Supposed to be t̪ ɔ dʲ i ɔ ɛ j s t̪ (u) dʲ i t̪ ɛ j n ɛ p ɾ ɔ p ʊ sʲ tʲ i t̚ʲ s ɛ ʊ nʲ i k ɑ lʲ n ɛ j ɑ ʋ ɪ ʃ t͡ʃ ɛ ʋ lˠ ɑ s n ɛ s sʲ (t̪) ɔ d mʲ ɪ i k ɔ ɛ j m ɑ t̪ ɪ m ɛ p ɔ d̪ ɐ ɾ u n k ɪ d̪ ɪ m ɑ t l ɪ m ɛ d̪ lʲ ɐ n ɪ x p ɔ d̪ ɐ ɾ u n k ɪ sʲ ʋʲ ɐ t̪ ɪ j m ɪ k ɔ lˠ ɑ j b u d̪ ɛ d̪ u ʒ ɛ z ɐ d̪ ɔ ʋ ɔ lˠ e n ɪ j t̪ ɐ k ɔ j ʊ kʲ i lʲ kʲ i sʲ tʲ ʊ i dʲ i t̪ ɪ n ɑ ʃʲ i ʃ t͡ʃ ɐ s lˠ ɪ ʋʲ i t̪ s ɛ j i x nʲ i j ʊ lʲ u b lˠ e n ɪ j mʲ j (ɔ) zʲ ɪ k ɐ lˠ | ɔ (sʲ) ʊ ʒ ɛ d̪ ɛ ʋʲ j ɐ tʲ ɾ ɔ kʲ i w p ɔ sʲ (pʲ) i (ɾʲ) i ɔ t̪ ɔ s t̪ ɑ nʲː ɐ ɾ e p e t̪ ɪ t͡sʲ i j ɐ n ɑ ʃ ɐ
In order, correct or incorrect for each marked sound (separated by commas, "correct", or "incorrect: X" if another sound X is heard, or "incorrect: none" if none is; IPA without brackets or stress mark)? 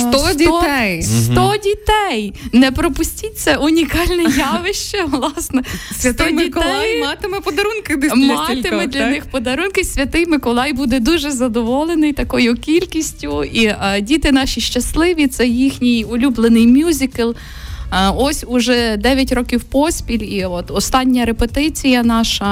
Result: incorrect: ɔ, correct, incorrect: u, correct, correct, incorrect: lʲ